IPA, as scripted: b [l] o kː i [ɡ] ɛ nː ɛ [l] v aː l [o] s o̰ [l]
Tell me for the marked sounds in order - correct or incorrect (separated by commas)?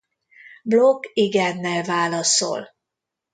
correct, correct, correct, incorrect, correct